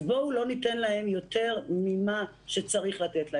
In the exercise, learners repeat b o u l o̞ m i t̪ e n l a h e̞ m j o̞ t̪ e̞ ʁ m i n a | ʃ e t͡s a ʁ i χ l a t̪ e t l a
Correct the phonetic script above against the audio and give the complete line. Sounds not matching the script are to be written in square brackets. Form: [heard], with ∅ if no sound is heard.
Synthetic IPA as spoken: b o u l o̞ [n] i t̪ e n l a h e̞ m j o̞ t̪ e̞ ʁ m i [m] a | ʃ e t͡s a ʁ i χ l a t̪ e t l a